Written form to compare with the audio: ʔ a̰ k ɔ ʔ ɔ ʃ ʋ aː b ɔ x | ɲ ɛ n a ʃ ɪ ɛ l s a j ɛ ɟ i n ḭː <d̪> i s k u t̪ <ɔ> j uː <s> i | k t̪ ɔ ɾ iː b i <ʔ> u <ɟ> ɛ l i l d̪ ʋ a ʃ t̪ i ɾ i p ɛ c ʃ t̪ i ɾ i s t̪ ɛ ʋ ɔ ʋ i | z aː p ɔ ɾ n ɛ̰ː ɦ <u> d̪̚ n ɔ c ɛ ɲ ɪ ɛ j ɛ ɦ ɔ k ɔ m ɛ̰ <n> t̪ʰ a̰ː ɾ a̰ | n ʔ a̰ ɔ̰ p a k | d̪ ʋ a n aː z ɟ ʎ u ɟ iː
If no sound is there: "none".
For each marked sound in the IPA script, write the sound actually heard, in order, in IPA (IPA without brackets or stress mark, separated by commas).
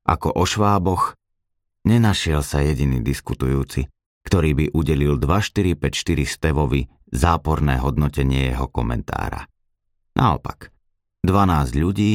d̪, u, t͡s, ʔ, ɟ, ɔ, n